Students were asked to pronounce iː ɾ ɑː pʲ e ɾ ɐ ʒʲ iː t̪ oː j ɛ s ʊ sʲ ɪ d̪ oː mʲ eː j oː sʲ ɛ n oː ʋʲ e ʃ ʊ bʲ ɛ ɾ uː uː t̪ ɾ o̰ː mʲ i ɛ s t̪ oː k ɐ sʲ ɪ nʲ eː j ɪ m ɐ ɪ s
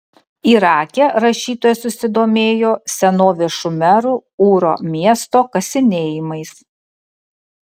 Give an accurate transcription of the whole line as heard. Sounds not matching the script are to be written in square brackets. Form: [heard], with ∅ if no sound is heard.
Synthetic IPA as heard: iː ɾ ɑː [kʲ] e ɾ ɐ [ʃʲ] iː t̪ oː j ɛ s ʊ sʲ ɪ d̪ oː mʲ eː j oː sʲ ɛ n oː ʋʲ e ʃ ʊ [mʲ] ɛ ɾ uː uː [∅] ɾ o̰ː mʲ i ɛ s t̪ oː k ɐ sʲ ɪ nʲ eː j ɪ m ɐ ɪ s